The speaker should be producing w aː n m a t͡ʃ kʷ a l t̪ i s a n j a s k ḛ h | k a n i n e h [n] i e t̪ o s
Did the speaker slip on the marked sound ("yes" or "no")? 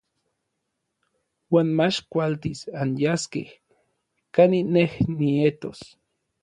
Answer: no